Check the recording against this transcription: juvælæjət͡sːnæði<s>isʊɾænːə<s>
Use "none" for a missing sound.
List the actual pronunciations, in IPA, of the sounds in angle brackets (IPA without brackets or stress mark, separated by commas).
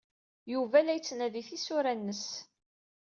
θ, s